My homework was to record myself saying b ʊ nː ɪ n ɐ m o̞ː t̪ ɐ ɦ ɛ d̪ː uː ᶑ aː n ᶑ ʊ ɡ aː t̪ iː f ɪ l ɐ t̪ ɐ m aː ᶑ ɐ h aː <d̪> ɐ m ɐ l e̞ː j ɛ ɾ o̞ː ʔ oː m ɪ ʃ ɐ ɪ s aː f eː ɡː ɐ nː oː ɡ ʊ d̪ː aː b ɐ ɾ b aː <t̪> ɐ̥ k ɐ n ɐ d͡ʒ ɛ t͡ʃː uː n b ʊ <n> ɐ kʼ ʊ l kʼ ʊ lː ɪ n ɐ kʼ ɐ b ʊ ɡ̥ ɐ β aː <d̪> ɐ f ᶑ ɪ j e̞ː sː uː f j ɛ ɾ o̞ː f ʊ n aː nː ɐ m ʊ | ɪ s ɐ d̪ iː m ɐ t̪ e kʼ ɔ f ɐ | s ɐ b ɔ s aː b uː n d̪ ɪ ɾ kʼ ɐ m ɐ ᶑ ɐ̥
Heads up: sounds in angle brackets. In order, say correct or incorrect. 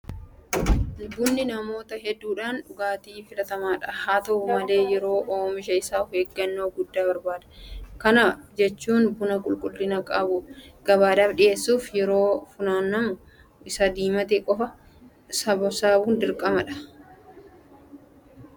incorrect: t̪, incorrect: d̪, correct, correct

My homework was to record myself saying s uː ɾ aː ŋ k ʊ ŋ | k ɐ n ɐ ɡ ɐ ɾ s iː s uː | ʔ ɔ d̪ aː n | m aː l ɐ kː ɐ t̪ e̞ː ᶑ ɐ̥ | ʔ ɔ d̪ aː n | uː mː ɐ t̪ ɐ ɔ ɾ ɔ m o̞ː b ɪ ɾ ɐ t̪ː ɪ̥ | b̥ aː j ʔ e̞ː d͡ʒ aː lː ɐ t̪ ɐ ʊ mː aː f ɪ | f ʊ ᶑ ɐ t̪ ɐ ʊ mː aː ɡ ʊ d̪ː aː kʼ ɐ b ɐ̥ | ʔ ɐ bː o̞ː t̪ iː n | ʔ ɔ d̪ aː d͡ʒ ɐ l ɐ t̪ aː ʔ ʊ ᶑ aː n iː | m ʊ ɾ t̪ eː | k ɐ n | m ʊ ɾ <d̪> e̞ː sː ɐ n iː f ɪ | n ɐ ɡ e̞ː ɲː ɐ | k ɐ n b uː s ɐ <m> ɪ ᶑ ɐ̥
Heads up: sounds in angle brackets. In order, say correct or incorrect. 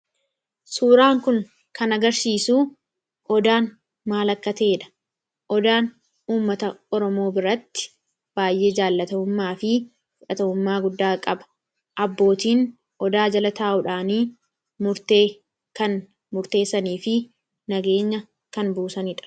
incorrect: t̪, incorrect: n

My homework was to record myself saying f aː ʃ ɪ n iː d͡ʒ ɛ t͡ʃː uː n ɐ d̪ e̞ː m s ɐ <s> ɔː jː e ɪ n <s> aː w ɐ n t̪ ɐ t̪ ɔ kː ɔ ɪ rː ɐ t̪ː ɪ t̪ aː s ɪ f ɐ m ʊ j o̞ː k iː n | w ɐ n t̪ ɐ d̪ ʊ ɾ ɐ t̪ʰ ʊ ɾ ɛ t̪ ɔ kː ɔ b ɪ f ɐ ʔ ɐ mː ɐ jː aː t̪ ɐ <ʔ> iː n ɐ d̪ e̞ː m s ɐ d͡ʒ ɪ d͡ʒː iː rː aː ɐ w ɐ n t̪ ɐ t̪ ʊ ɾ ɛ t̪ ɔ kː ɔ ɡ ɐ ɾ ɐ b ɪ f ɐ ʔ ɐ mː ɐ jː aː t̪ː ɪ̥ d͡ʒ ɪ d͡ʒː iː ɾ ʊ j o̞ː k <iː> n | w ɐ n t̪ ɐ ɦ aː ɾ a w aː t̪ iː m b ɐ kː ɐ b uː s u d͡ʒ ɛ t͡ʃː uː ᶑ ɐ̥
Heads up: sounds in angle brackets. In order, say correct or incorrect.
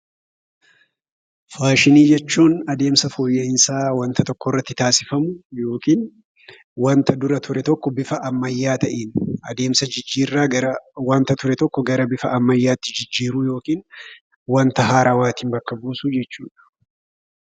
incorrect: f, correct, correct, correct

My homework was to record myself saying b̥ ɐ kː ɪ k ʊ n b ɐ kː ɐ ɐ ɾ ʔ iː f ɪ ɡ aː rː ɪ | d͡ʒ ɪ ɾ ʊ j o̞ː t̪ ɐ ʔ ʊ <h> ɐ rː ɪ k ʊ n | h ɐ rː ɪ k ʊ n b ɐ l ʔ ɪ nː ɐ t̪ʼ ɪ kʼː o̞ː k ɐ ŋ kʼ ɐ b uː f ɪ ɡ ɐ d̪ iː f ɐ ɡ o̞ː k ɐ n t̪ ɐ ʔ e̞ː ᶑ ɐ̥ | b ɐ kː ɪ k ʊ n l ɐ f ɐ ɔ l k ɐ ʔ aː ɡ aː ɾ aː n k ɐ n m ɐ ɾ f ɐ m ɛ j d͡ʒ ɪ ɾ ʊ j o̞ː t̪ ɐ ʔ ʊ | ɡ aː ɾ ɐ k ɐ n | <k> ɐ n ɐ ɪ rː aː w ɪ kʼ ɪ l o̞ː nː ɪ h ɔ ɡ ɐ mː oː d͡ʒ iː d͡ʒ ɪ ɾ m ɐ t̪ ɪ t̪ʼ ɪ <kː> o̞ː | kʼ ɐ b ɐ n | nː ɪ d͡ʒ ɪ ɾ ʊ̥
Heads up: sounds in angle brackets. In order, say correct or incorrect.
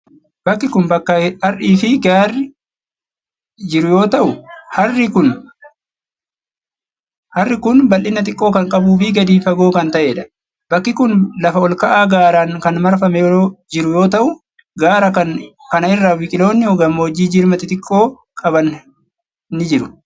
correct, correct, incorrect: kʼː

